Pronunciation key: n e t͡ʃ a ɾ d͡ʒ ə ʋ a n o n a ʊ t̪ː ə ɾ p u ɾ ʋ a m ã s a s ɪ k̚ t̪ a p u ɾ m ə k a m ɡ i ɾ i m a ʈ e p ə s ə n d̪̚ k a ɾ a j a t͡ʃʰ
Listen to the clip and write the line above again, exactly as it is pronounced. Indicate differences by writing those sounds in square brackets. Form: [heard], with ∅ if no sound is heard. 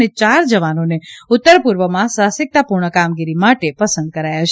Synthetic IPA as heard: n e t͡ʃ a ɾ d͡ʒ ə ʋ a n o n [e] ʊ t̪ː ə ɾ p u ɾ ʋ [ə] m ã s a s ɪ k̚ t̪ a p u ɾ [ɳ] ə k a m ɡ i ɾ i m a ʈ e p ə s ə n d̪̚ k [ə] ɾ a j a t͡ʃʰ